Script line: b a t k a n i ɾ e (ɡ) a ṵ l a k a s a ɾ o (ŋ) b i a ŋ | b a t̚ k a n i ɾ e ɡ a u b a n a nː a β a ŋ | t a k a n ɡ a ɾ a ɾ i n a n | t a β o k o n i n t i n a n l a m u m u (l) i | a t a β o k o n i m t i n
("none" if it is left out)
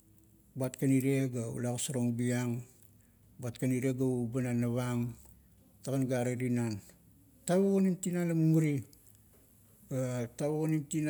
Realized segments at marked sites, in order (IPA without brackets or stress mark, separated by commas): ɡ, ŋ, ɾ